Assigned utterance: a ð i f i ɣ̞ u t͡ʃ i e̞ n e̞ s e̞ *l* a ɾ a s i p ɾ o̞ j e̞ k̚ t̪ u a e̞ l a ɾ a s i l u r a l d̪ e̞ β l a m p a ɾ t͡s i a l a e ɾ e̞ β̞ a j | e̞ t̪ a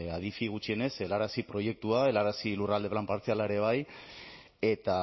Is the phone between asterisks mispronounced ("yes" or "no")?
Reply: no